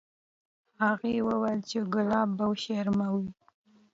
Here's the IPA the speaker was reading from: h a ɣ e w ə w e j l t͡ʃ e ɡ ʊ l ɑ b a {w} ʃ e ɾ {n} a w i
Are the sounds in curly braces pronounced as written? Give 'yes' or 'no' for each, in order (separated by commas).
yes, no